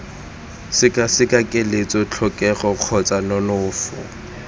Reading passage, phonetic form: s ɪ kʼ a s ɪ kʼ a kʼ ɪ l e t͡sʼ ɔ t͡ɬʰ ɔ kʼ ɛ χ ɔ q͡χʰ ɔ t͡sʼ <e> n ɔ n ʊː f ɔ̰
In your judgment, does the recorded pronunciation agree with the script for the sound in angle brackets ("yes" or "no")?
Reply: no